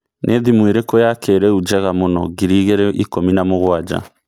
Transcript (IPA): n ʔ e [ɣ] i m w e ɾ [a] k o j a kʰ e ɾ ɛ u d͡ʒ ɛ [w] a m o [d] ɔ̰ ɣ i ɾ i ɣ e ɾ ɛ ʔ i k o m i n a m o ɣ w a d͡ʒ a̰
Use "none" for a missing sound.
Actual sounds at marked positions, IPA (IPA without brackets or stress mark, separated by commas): ð, e, ɣ, n